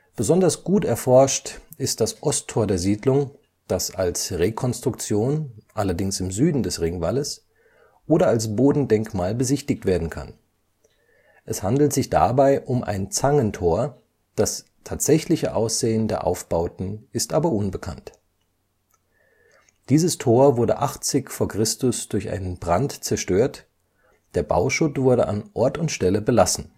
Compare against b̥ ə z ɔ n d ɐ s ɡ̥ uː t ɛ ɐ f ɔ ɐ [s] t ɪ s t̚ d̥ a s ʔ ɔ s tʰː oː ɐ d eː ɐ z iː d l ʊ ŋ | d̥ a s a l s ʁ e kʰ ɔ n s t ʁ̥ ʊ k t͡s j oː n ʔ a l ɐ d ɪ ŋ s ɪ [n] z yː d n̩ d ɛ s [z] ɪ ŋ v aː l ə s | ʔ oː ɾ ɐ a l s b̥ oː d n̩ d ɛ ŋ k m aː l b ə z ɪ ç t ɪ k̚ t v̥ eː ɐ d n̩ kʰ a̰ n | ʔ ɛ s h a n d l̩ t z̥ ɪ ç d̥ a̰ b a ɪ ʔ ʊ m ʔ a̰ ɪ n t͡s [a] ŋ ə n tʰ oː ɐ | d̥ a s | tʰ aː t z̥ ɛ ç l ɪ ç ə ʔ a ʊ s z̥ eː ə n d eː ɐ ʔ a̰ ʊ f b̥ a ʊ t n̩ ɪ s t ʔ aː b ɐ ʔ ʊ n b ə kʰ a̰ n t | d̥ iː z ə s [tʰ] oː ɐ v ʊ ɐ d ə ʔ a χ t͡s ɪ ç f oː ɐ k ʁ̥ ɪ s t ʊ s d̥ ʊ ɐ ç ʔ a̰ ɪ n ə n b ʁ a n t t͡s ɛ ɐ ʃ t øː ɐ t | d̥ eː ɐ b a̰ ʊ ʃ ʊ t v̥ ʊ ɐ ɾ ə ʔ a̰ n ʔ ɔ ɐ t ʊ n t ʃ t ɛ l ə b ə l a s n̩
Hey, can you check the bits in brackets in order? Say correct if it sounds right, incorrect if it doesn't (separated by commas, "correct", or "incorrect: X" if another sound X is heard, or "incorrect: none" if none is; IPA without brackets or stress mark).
incorrect: ʃ, incorrect: m, incorrect: ʁ, correct, correct